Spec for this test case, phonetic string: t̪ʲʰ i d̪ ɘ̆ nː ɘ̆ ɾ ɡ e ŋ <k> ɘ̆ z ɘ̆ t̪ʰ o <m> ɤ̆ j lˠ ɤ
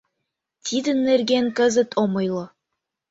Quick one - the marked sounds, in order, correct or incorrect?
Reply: correct, correct

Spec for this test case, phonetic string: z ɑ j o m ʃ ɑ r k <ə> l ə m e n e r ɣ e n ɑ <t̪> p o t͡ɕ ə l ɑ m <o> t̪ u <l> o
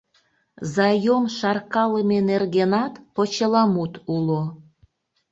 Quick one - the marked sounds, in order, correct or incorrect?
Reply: incorrect: ɑ, correct, incorrect: u, correct

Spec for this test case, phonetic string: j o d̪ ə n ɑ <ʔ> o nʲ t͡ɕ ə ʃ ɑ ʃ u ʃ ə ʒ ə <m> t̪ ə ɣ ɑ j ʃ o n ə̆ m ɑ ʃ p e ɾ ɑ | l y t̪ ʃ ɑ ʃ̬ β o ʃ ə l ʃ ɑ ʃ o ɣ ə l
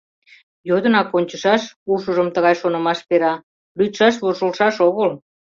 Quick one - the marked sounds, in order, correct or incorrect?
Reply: incorrect: k, correct

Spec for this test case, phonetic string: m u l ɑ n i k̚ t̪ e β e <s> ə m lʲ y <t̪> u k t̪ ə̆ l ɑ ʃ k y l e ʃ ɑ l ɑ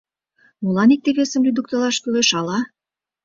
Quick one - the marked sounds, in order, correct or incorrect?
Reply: correct, incorrect: d̪

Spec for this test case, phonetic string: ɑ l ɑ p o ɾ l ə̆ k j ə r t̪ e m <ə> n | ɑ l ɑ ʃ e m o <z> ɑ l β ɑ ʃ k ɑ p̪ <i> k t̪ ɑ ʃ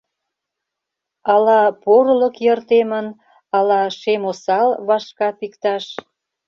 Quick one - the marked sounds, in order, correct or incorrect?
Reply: correct, incorrect: s, correct

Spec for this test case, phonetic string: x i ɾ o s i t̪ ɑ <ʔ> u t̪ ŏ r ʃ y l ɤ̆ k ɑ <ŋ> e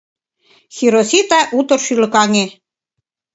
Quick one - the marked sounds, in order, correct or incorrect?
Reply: correct, correct

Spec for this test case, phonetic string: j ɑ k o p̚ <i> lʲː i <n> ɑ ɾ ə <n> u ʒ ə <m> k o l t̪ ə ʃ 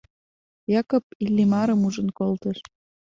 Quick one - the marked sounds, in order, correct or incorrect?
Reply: correct, incorrect: m, incorrect: m, incorrect: n

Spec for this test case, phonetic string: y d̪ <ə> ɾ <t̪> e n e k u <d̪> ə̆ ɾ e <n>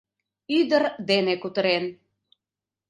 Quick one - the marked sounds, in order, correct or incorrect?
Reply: correct, incorrect: d̪, incorrect: t̪, correct

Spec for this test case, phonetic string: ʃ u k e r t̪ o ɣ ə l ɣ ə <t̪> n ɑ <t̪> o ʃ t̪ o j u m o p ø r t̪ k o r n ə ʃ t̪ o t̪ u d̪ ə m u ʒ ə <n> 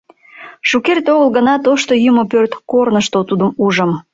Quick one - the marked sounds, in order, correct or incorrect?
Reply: incorrect: none, correct, incorrect: m

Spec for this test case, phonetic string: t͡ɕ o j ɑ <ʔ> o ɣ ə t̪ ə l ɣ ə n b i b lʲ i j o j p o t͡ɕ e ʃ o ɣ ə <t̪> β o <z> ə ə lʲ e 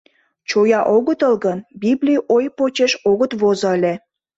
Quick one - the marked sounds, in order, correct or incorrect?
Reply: correct, correct, correct

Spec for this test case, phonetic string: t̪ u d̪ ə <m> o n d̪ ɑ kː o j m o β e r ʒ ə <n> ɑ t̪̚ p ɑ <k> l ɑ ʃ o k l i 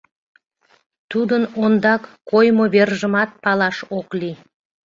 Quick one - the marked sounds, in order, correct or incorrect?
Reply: incorrect: n, incorrect: m, incorrect: none

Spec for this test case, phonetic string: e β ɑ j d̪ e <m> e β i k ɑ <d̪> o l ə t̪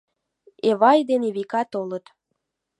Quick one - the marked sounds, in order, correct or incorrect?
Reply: incorrect: n, incorrect: t̪

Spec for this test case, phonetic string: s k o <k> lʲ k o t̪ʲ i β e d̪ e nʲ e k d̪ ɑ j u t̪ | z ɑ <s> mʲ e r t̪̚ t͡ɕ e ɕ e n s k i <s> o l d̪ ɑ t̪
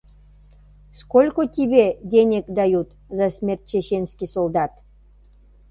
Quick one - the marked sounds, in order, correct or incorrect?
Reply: incorrect: none, correct, correct

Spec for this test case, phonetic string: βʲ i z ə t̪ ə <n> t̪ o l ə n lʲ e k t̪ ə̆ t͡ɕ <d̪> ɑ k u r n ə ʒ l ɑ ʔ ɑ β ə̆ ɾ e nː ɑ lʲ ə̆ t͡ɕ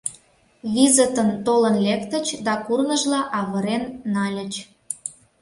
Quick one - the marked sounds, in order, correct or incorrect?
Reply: correct, correct

